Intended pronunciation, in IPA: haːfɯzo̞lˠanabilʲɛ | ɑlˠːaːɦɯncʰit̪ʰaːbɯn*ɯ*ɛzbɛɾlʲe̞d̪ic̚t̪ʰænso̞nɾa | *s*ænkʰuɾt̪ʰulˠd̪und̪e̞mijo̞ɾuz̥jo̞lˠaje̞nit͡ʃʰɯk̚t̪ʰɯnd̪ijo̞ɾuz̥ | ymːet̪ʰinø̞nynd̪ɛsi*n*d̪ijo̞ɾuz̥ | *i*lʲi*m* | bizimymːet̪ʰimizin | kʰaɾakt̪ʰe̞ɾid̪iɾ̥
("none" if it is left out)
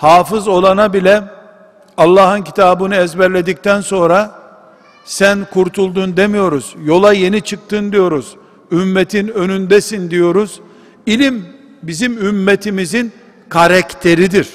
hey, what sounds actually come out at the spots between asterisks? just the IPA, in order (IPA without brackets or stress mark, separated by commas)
ɯ, s, n, i, m